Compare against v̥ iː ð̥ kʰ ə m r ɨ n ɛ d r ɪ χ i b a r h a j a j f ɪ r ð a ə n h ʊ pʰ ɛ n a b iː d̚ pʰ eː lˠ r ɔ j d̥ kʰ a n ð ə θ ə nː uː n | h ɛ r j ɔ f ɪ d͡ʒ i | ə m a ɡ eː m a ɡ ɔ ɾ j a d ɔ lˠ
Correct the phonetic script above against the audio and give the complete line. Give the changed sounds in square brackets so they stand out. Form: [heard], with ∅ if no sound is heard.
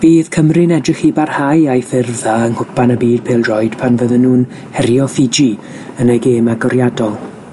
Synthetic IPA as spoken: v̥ iː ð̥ kʰ ə m r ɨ n ɛ d r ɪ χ i b a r h a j a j f ɪ r ð a ə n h ʊ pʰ [a] n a b iː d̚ pʰ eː lˠ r ɔ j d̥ [pʰ] a n [v] ə [ð] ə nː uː n | h ɛ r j ɔ f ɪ d͡ʒ i | ə [n] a ɡ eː m a ɡ ɔ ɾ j a d ɔ lˠ

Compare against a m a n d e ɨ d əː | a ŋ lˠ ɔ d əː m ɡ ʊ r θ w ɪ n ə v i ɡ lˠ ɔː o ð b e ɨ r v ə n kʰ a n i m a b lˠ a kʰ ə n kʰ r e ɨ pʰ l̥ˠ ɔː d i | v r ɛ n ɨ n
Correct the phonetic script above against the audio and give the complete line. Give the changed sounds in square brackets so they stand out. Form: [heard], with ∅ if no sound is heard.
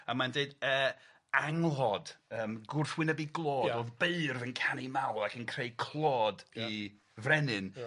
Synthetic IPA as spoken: a m a n d e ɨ d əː | a ŋ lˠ ɔ d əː m ɡ ʊ r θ w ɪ n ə [b] i ɡ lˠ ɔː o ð b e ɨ r v ə n kʰ a n i m a [w] lˠ a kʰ ə n kʰ r e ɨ [kʰ] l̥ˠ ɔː d i | v r ɛ n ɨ n

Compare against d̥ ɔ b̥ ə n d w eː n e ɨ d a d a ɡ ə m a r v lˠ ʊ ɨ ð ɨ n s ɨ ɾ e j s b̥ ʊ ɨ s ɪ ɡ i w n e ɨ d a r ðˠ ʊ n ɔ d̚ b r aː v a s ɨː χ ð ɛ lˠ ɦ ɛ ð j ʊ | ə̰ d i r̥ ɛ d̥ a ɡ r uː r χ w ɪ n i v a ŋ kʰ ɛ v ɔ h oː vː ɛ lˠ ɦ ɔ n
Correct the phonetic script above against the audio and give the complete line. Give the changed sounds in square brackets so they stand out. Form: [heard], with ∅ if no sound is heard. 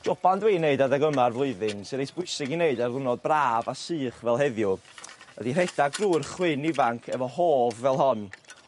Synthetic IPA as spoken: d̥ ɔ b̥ [a] n d w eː n e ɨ d a d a ɡ ə m a r v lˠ ʊ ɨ ð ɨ n s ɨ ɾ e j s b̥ ʊ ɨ s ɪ ɡ i [∅] n e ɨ d a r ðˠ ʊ n ɔ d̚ b r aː v a s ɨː χ [v] ɛ lˠ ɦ ɛ ð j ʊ | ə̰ d i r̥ ɛ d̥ a ɡ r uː r χ w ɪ n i v a ŋ kʰ ɛ v ɔ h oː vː ɛ lˠ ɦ ɔ n

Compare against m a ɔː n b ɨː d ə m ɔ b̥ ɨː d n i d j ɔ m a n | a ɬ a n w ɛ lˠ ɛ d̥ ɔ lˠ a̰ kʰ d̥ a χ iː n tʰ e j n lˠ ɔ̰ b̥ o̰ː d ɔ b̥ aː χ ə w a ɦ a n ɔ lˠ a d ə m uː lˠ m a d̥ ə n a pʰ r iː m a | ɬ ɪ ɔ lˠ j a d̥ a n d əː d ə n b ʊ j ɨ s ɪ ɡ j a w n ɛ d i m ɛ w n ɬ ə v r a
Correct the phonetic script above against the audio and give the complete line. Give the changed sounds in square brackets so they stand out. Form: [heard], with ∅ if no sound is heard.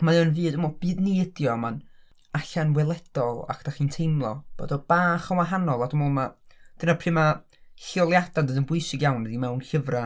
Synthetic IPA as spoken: m a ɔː n [v] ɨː d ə m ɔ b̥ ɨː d n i d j ɔ m a n | a ɬ a n w ɛ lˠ ɛ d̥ ɔ lˠ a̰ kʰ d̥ a χ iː n tʰ e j [m] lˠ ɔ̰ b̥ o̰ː d ɔ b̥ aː χ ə w a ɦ a n ɔ lˠ a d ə m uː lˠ m a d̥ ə n a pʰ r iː m a | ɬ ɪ ɔ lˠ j a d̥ a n d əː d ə n b ʊ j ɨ s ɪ ɡ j a w n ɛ d i m ɛ w n ɬ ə v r a

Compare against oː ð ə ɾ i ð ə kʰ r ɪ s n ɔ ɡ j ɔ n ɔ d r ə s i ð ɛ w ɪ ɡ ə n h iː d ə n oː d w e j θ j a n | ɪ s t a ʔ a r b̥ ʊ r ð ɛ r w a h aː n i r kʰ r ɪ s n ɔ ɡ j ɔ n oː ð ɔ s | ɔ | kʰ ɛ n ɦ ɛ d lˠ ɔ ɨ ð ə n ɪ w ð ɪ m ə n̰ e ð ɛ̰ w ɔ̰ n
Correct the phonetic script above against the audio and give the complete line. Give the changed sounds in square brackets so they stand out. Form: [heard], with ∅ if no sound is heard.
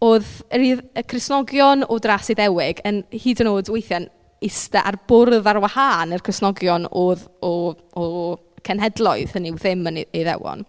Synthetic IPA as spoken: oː ð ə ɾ i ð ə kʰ r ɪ s n ɔ ɡ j ɔ n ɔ d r [a] s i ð ɛ w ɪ ɡ ə n h iː d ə n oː d w e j θ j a n | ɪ s t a ʔ a r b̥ ʊ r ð [a] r w a h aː n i r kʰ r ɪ s n ɔ ɡ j ɔ n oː ð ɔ [∅] | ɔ | kʰ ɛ n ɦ ɛ d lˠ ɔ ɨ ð ə n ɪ w ð ɪ m ə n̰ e ð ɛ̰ w ɔ̰ n

